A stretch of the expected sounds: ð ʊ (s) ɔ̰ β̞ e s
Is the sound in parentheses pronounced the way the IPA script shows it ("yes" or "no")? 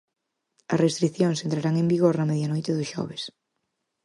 no